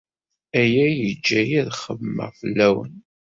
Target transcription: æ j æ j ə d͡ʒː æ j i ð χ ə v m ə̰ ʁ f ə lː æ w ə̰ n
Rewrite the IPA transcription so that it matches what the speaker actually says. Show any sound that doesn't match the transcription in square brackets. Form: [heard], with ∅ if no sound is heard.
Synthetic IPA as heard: æ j æ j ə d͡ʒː æ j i ð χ ə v m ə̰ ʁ f ə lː æ w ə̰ n